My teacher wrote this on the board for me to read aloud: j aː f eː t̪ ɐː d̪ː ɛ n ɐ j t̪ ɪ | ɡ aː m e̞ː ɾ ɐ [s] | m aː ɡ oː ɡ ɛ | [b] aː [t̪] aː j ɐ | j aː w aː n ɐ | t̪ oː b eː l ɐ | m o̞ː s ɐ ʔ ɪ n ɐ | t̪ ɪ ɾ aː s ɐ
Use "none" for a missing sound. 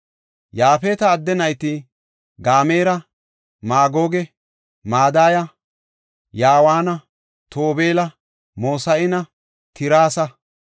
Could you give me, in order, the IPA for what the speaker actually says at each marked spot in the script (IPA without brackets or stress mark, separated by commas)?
none, m, d̪